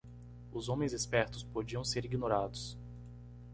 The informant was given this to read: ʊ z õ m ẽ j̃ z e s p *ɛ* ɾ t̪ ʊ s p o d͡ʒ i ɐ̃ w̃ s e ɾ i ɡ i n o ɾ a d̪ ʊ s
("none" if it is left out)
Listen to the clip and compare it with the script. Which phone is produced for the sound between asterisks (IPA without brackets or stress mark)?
ɛ